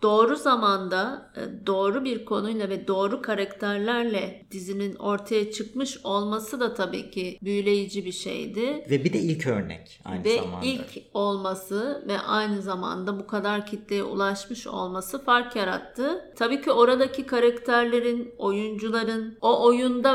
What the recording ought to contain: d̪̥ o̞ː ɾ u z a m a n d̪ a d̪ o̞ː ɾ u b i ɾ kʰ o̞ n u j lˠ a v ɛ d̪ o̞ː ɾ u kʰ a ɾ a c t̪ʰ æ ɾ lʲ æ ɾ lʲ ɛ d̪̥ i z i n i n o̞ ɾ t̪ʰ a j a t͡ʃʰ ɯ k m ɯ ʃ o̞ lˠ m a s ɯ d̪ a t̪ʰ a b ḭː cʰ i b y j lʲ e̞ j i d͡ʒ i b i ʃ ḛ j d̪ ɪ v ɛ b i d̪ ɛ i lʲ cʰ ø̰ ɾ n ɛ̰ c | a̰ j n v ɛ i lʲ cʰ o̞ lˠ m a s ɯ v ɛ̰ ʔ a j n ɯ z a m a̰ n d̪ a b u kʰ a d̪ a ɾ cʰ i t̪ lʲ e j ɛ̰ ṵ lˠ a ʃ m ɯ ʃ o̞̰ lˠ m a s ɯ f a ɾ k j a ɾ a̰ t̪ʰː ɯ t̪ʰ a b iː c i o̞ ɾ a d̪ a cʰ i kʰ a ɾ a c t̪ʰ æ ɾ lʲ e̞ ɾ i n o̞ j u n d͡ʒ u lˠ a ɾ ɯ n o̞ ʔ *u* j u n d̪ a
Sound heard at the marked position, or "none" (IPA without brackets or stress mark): o